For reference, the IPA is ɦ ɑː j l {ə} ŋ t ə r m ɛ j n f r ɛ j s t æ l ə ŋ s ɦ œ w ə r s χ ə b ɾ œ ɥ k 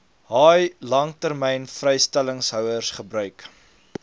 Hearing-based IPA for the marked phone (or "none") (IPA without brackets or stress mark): ɐ